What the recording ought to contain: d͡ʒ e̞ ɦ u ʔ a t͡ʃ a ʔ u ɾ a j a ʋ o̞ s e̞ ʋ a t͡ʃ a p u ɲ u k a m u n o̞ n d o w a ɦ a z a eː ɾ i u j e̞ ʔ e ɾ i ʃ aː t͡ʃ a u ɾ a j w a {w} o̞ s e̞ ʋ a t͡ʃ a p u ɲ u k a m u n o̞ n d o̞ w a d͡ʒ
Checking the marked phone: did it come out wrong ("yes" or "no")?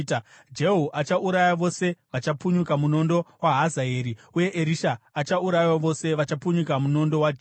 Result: yes